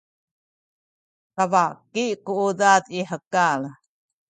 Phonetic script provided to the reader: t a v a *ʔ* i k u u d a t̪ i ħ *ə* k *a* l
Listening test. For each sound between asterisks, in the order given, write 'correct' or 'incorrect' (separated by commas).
incorrect, correct, correct